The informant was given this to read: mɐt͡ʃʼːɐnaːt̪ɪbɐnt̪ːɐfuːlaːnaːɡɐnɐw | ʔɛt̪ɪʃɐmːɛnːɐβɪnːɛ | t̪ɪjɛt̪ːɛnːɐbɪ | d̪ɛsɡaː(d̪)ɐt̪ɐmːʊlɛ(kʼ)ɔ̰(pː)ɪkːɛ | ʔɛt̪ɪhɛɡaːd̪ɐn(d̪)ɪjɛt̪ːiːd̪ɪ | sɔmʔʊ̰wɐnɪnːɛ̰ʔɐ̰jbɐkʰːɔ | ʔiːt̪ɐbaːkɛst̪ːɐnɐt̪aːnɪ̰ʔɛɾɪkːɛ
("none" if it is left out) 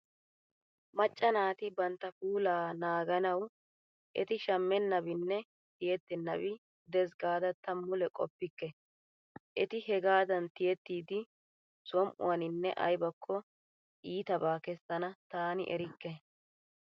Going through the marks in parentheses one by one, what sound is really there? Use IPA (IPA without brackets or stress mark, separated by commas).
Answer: d̪, kʼ, pː, t̪